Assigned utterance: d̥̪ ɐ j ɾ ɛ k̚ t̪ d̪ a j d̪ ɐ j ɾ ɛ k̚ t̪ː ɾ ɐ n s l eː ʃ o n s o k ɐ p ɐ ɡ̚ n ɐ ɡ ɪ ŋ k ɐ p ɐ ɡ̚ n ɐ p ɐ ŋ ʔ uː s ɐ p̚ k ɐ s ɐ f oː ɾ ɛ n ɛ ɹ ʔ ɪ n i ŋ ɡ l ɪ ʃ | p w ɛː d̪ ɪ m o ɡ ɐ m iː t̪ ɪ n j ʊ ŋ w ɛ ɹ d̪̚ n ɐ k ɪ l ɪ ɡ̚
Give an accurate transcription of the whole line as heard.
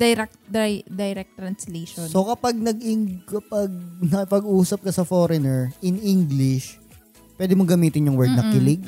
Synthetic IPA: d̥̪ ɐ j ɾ ɛ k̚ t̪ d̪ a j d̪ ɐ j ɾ ɛ k̚ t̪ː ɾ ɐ n s l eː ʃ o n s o k ɐ p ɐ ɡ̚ n ɐ ɡ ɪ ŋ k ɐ p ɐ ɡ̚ n ɐ p ɐ ɡ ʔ uː s ɐ p̚ k ɐ s ɐ f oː ɾ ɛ n ɛ ɹ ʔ ɪ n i ŋ ɡ l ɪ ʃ | p w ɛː d̪ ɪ m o ɡ ɐ m iː t̪ ɪ n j ʊ ŋ w ɛ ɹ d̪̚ n ɐ k ɪ l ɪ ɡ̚